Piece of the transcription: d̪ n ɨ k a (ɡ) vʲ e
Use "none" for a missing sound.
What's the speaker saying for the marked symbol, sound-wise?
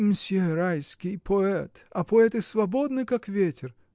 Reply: k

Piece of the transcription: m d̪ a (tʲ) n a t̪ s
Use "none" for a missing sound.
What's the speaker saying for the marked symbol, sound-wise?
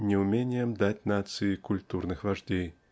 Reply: tʲ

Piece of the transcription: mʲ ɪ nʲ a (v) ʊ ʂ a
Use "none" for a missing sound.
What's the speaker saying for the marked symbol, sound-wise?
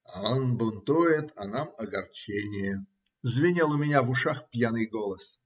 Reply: v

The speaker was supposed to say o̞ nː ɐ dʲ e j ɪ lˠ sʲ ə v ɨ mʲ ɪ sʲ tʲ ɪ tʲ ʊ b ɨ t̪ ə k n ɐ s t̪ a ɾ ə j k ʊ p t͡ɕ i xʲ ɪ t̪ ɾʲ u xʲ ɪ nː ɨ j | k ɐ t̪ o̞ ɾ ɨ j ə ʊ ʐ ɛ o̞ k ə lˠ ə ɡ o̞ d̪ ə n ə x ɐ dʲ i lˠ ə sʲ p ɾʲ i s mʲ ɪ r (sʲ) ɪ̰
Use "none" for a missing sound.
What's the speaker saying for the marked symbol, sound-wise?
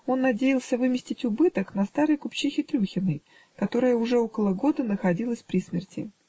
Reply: tʲ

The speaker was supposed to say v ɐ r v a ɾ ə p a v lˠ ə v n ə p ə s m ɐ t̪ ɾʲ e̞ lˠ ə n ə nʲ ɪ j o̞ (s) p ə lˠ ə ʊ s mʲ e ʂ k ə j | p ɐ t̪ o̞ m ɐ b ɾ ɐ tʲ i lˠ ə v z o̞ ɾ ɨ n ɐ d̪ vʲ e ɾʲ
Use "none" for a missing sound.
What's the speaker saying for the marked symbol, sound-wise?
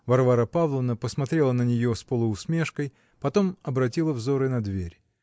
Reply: s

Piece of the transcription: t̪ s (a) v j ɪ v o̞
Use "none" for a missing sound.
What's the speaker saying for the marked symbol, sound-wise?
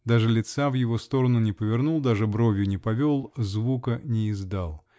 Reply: a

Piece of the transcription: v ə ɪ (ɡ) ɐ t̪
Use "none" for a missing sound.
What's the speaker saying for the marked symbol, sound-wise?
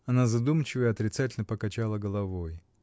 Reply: none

